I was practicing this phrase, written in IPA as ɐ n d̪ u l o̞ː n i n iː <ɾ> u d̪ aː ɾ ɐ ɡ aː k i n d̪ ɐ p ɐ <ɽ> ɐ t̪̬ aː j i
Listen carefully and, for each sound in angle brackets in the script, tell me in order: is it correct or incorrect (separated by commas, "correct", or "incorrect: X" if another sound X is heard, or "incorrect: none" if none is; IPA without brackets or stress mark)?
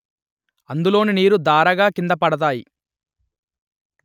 correct, correct